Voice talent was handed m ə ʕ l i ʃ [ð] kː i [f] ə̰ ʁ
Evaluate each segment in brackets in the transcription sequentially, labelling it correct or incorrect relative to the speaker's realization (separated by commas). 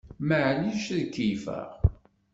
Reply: correct, correct